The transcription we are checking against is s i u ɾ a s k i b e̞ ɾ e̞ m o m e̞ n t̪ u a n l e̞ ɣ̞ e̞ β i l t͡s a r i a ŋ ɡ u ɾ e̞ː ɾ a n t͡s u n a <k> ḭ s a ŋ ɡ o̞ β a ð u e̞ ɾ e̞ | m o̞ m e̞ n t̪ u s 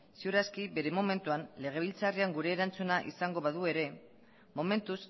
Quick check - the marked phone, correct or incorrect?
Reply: incorrect: ʔ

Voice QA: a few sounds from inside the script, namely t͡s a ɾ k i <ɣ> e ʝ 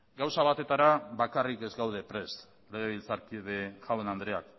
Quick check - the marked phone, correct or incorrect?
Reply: incorrect: ð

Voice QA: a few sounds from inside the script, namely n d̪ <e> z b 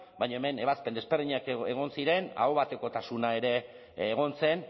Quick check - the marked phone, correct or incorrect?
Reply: correct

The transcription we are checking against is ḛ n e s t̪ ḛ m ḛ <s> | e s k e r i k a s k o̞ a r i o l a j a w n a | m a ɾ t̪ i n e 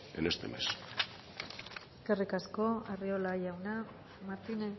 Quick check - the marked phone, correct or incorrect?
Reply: correct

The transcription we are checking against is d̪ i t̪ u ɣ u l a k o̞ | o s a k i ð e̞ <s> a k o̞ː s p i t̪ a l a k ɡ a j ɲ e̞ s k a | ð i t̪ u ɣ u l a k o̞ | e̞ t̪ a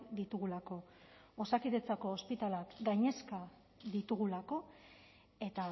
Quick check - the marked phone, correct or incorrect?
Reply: incorrect: t͡s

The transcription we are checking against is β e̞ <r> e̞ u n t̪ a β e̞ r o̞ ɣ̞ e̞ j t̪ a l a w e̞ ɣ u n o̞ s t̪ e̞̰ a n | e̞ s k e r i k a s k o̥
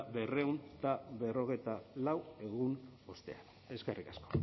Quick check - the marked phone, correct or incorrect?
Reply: correct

